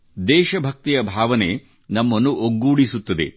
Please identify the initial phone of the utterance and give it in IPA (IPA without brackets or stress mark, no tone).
d̪